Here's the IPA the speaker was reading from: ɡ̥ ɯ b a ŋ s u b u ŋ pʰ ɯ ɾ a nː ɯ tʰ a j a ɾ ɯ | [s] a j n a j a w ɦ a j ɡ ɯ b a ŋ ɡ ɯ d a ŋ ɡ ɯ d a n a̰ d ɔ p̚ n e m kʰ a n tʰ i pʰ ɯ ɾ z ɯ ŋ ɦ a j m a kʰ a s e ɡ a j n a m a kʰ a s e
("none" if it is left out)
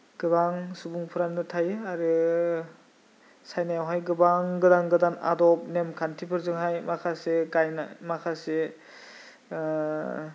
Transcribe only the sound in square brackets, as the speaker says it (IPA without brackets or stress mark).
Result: s